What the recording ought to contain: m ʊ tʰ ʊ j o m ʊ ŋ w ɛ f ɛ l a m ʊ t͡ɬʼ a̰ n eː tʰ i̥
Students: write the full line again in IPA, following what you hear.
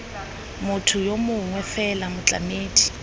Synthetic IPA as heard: m ʊ tʰ ʊ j o m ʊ ŋ w ɛ f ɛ l a m ʊ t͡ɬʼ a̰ m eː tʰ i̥

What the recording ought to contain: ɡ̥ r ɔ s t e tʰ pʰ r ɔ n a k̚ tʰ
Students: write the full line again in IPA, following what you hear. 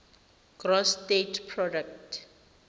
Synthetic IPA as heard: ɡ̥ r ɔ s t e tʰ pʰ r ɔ d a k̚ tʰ

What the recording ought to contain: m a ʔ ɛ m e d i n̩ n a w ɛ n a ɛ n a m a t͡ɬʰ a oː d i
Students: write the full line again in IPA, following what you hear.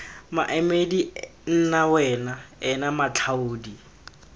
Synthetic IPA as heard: m a ʔ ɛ m e d i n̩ n a w ɛ n a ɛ n a m a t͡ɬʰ a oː d i

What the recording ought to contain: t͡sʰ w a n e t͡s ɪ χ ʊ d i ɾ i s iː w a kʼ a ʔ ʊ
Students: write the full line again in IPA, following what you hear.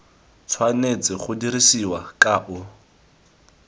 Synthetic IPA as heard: t͡sʰ w a n e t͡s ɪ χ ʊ d i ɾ i s i w a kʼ a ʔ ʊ

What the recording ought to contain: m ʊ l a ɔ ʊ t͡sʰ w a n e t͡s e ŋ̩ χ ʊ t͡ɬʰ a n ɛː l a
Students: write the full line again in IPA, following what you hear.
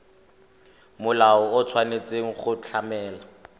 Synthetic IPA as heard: m ʊ l a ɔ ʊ t͡sʰ w a n e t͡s e ŋ̩ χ ʊ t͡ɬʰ a m ɛː l a

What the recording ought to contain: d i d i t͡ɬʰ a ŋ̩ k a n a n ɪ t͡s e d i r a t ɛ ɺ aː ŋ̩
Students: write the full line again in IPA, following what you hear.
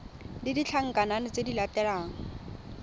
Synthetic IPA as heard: d i d i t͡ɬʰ a ŋ̩ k a n a n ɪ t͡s e d i l a t ɛ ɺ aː ŋ̩

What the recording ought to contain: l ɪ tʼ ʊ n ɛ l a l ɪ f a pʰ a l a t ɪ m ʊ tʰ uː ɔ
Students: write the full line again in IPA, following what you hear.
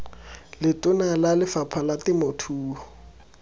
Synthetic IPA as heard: l ɪ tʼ ʊ n a l a l ɪ f a pʰ a l a t ɪ m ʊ tʰ uː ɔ

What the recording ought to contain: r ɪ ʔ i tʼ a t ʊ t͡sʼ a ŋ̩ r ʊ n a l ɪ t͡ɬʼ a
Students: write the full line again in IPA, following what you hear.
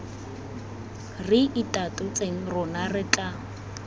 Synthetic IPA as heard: r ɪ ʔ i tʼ a t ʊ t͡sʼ e ŋ̩ r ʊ n a r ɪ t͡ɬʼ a

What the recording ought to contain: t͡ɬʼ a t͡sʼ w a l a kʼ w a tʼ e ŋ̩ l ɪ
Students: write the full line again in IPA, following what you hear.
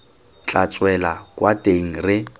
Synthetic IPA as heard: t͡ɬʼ a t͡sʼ w ɛ l a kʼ w a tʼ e ŋ̩ r ɪ

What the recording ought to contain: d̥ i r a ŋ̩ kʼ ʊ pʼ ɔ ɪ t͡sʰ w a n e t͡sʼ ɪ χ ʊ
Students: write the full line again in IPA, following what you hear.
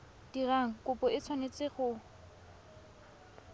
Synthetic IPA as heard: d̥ i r a ŋ̩ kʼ ʊ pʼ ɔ ɪ t͡sʰ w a n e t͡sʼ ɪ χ ʊ

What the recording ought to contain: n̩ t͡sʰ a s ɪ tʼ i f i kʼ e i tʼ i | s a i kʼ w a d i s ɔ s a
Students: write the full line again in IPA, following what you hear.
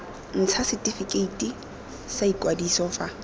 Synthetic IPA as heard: n̩ t͡sʰ a s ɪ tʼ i f i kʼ e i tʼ i | s a i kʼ w a d i s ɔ f a

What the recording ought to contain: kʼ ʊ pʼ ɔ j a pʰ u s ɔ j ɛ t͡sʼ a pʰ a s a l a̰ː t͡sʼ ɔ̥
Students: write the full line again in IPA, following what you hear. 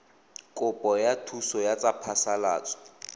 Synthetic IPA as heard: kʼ ʊ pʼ ɔ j a tʰ u s ɔ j a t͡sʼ a pʰ a s a l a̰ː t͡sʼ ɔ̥

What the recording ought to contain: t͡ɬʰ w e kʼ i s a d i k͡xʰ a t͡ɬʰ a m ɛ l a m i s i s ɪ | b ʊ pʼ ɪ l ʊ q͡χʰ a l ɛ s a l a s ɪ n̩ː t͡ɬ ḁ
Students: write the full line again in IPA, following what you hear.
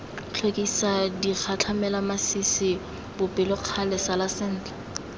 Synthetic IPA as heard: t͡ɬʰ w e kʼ i s a d i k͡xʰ a t͡ɬʰ a m ɛ l a m a s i s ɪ | b ʊ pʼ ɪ l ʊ q͡χʰ a l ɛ s a l a s ɪ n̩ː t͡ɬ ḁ

